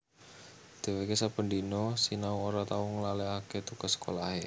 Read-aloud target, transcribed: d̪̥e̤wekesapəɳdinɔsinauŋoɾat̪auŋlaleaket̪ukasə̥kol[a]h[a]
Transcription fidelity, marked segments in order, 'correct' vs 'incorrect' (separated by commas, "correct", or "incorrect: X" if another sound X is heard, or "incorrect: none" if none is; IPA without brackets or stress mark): correct, incorrect: e